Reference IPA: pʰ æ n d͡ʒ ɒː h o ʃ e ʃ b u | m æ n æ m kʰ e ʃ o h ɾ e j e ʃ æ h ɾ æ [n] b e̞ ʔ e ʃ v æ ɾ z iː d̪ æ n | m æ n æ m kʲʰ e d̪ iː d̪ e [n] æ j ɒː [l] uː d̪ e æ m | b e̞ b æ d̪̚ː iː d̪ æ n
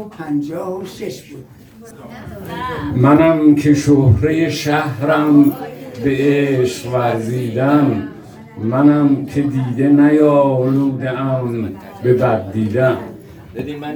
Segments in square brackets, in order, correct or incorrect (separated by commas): incorrect, correct, correct